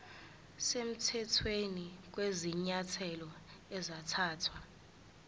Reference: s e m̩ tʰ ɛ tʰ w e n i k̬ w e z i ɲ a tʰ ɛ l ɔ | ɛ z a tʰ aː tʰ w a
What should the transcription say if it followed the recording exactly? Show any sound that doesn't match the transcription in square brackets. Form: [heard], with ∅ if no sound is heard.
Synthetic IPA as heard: s e m̩ tʰ ɛ tʰ w e n i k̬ w e z i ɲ a tʰ ɛ l ɔ | ɛ z a tʰ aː tʰ w a